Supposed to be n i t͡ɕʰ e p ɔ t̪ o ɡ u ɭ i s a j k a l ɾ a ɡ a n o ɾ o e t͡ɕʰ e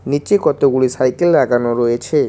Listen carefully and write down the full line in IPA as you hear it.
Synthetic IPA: n i t͡ɕ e k ɔ t̪ o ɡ u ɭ i s a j k e l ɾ a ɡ a n o ɾ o e t͡ɕʰ e

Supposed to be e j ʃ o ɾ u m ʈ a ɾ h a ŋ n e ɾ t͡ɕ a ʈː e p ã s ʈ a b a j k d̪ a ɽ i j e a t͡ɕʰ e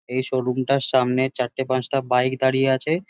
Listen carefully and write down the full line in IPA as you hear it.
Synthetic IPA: e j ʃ o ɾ u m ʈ a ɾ ʃ a m n e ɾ t͡ɕ a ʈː e p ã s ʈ a b a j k d̪ a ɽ i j e a t͡ɕʰ e

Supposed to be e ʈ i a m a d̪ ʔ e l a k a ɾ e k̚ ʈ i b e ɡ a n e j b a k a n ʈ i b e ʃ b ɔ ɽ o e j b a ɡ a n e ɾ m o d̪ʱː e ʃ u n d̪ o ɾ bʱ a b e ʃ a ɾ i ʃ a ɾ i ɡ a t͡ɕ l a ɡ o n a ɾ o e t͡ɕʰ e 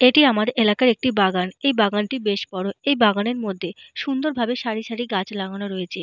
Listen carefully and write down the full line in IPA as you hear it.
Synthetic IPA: e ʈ i a m a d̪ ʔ e l a k a ɾ e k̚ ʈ i b a ɡ a n e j b a ɡ a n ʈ i b e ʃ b ɔ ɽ o e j b a ɡ a n e ɾ m o d̪ʱː e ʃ u n d̪ o ɾ bʱ a b e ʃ a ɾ i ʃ a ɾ i ɡ a t͡ɕ l a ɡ o n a ɾ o e t͡ɕʰ e

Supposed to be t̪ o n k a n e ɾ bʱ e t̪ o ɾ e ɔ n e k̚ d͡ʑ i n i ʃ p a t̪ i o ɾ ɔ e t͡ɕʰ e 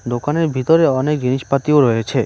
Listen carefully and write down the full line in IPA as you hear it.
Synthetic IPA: d̪ o k a n e ɾ bʱ i t̪ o ɾ e ɔ n e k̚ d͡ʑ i n i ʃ p a t̪ i o ɾ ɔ e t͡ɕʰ e

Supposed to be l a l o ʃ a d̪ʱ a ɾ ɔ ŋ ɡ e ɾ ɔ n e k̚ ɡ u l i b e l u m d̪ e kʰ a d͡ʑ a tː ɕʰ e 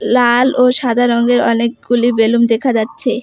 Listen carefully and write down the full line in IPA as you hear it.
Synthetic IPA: l a l o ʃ a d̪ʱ a ɾ ɔ ŋ ɡ e ɾ ɔ n e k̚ ɡ u l i b e l u m d̪ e kʰ a d͡ʑ a tː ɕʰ e

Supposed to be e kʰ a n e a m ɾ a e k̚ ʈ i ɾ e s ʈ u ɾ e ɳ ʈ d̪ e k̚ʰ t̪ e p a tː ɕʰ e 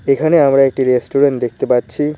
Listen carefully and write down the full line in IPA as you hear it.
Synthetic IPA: e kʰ a n e a m ɾ a e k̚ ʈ i ɾ e s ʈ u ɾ e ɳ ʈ d̪ e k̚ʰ t̪ e p a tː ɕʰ i

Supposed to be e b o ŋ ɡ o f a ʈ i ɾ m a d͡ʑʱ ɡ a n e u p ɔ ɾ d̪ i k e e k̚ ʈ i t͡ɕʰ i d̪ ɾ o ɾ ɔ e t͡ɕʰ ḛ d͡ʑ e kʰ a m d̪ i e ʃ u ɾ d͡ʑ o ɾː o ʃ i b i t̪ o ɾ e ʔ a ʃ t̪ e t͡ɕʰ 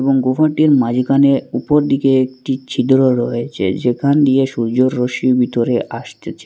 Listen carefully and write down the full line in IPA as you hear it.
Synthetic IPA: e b o ŋ ɡ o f a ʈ i ɾ m a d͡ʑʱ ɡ a n e u p o ɾ d̪ i k e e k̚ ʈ i t͡ɕʰ i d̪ ɾ o ɾ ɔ e t͡ɕʰ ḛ d͡ʑ e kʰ a n d̪ i e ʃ u ɾ d͡ʑ o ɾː o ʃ i b i t̪ o ɾ e ʔ a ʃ t̪ e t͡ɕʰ

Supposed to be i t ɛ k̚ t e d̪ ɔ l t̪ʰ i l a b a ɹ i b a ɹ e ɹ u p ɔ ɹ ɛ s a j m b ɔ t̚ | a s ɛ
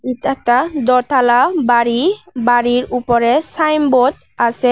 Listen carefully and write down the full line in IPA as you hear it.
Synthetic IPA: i t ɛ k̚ t a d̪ ɔ ɹ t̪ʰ a l a b a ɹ i b a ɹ i ɹ u p ɔ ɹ ɛ s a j m b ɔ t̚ | a s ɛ

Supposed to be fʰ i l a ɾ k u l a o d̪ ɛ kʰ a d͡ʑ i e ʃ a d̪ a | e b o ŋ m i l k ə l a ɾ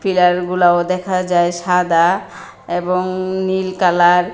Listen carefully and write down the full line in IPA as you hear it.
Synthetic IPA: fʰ i l a ɾ ɡ u l a o d̪ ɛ kʰ a d͡ʑ a e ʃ a d̪ a | e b o ŋ n i l k a l a ɾ

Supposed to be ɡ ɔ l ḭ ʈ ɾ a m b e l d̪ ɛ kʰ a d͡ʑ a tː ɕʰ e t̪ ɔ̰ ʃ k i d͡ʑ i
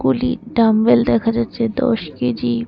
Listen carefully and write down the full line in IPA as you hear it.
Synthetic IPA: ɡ u l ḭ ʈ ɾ a m b e l d̪ ɛ kʰ a d͡ʑ a tː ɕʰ e d̪ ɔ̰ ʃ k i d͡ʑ i

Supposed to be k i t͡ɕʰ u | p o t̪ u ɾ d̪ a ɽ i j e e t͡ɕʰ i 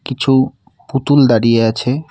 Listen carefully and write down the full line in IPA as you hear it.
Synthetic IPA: k i t͡ɕʰ u | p u t̪ u l d̪ a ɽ i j e a t͡ɕʰ e

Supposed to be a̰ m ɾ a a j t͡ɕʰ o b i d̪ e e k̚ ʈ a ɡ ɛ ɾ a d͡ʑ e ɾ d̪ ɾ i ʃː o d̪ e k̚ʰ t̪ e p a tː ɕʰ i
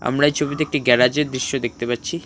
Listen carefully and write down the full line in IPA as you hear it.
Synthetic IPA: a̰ m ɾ a e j t͡ɕʰ o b i t̪ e e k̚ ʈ i ɡ ɛ ɾ a d͡ʑ e ɾ d̪ ɾ i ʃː o d̪ e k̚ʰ t̪ e p a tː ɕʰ i

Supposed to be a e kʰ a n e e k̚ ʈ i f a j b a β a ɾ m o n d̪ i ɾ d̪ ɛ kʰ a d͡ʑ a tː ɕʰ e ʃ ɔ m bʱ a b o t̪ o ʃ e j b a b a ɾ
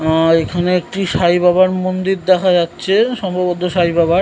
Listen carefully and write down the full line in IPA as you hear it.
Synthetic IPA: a e kʰ a n e e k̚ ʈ i ʃ a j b a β a ɾ m o n d̪ i ɾ d̪ ɛ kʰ a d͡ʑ a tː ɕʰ e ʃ ɔ m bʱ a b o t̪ o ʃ a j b a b a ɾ

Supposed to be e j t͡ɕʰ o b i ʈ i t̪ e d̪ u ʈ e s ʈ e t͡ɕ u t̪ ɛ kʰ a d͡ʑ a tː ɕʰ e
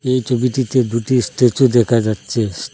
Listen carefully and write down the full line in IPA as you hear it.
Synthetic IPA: e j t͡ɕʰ o b i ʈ i t̪ e d̪ u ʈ i s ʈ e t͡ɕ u d̪ ɛ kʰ a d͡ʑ a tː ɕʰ e

